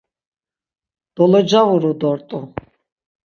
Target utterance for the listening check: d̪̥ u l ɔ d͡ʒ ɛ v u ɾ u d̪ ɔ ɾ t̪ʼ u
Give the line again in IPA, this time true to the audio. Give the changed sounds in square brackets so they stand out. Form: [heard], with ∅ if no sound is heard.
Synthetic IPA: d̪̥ [ɔ] l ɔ d͡ʒ [a] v u ɾ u d̪ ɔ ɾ t̪ʼ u